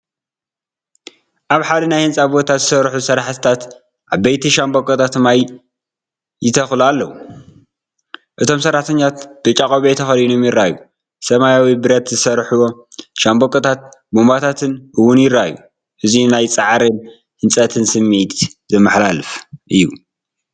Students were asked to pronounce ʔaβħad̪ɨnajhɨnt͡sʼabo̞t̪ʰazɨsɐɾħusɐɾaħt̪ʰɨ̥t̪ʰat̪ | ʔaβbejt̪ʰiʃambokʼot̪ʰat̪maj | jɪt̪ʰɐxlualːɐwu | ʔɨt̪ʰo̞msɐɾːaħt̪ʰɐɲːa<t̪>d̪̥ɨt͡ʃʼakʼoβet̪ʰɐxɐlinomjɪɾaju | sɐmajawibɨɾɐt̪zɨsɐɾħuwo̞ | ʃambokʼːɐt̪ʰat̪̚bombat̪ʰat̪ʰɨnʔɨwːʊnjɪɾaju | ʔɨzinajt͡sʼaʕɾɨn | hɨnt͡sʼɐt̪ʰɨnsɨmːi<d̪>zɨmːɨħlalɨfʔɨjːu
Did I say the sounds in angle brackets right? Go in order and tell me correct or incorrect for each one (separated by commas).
correct, incorrect